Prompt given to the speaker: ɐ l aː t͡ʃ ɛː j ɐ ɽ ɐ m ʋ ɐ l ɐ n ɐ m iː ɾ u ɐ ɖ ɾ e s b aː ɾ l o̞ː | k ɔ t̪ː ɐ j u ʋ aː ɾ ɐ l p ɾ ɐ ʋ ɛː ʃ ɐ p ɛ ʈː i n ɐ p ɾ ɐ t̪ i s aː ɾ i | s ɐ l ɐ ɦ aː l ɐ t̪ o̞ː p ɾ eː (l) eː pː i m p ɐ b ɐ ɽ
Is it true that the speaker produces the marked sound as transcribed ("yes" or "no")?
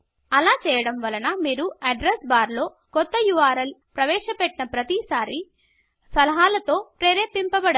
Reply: no